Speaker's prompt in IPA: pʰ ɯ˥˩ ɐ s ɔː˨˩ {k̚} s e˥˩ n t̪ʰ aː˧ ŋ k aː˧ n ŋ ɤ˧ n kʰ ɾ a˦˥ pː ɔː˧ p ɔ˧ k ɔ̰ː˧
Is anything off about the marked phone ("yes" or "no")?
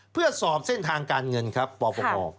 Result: yes